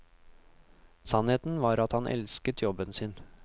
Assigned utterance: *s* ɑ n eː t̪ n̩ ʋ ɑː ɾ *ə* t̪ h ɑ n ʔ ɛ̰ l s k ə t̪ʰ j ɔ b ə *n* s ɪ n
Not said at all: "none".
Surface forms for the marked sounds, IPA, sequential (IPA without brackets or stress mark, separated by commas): s, ɑ, n